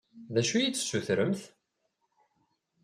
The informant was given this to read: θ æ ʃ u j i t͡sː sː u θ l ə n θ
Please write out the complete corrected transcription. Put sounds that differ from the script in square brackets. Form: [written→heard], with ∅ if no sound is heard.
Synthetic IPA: [θ→ð] æ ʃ u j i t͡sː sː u θ [l→ɾ] ə [n→m] θ